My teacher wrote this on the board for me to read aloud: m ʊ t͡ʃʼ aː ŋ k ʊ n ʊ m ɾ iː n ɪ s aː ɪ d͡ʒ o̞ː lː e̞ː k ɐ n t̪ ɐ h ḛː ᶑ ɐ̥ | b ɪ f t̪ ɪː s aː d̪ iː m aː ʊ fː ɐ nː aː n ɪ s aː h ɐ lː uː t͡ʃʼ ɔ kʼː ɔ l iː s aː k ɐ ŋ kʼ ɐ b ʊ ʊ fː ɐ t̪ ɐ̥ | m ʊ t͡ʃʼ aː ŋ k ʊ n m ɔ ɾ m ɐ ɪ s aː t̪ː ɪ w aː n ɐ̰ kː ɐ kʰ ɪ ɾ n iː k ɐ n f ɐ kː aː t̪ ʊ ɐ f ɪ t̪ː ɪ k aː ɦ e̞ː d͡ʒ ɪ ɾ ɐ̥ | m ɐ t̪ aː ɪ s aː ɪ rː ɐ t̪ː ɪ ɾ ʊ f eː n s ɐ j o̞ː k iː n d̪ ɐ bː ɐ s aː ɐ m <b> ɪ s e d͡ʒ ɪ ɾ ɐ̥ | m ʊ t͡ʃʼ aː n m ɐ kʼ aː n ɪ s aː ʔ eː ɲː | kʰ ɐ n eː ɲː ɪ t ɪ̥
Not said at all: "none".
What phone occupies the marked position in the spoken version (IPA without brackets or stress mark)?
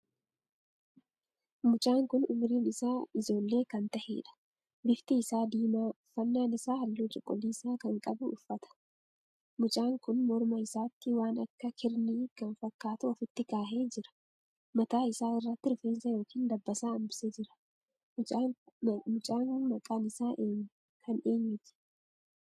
b